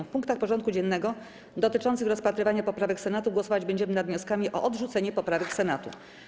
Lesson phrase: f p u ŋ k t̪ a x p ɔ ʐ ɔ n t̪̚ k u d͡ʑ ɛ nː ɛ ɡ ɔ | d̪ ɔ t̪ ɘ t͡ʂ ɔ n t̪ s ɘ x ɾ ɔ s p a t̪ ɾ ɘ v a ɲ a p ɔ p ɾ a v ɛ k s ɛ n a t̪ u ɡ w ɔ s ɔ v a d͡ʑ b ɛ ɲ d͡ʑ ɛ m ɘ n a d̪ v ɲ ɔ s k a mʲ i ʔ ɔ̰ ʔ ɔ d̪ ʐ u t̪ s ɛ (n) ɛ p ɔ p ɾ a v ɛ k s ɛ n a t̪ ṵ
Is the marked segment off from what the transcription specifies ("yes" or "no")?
yes